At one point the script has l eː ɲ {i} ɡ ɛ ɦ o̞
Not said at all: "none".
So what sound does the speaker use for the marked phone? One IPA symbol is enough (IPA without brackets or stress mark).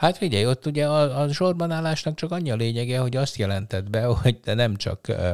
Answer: ɛ